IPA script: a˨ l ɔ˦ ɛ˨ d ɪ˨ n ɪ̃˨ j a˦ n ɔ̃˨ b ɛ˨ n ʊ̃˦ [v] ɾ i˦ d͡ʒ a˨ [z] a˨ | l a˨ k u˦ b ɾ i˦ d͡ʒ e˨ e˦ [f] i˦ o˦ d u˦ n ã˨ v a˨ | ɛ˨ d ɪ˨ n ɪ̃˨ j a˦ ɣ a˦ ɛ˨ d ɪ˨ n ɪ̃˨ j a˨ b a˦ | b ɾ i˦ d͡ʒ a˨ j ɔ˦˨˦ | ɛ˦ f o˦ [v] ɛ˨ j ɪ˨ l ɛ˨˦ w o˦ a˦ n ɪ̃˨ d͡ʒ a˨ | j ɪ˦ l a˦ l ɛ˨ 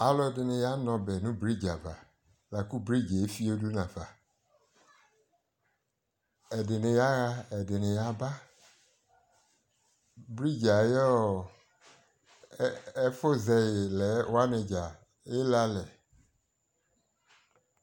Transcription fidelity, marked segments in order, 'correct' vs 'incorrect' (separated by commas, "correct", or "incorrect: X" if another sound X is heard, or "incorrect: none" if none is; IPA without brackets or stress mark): incorrect: b, incorrect: v, correct, incorrect: z